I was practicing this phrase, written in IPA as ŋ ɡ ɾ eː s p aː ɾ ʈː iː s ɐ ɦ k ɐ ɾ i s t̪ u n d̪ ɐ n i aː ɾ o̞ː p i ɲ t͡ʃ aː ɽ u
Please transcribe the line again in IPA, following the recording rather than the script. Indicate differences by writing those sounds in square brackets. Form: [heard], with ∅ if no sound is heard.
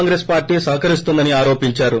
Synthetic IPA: ŋ ɡ ɾ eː s p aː ɾ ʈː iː s ɐ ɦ k ɐ ɾ i s t̪ u n d̪ ɐ n i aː ɾ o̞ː p i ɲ t͡ʃ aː [ɾ] u